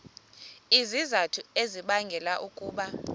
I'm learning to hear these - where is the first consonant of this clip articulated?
tongue tip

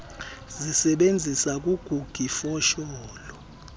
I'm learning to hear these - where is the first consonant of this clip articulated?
tongue tip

